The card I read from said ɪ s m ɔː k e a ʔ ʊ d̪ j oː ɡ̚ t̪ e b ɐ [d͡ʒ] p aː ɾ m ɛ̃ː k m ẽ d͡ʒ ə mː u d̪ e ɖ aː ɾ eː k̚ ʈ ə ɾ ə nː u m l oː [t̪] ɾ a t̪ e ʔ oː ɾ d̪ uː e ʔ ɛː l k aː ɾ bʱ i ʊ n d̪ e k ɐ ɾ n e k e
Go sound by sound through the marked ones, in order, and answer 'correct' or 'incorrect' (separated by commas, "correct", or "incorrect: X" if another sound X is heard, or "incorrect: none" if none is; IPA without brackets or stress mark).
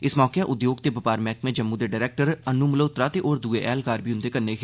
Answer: incorrect: none, correct